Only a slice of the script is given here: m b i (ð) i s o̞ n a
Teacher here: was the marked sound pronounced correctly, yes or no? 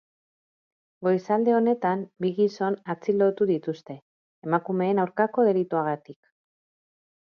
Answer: no